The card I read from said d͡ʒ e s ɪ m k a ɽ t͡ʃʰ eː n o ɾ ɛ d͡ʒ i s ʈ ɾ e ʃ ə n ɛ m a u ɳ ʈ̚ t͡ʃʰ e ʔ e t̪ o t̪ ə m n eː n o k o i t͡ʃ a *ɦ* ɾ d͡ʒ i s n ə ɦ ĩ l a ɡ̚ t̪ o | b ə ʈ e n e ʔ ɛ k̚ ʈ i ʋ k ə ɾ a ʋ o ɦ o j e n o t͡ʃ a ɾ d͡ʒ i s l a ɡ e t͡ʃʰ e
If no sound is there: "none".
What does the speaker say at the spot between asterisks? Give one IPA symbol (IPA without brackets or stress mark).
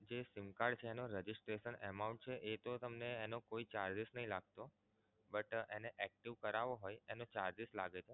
none